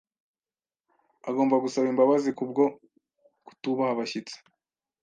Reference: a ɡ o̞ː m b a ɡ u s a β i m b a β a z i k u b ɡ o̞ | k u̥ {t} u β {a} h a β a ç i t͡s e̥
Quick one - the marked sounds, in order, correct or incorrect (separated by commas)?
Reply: correct, correct